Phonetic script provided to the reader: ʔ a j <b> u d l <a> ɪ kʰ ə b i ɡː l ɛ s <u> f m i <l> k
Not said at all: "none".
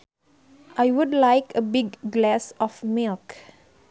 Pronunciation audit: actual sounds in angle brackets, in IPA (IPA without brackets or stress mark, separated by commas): w, a, ɔ, l